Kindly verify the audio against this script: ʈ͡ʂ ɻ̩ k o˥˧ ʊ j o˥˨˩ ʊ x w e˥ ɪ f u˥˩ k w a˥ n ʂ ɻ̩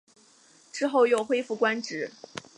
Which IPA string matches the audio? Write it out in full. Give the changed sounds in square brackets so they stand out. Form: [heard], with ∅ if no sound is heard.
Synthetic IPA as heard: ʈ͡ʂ ɻ̩ [x] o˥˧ ʊ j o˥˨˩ ʊ x w e˥ ɪ f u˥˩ k w a˥ n [ʈ͡ʂ] ɻ̩